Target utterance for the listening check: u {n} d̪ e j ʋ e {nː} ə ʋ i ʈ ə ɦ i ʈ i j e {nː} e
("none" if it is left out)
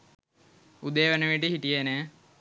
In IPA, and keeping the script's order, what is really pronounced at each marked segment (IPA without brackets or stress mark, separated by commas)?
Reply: none, n, n